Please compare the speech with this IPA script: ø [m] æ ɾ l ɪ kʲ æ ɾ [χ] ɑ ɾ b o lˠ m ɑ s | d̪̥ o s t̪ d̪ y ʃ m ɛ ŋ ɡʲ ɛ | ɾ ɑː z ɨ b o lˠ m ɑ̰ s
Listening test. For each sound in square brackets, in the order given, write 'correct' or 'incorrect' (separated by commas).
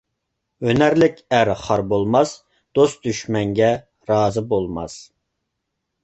incorrect, correct